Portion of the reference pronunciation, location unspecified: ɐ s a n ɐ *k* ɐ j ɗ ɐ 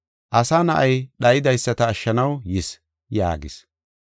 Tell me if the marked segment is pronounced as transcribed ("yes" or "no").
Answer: no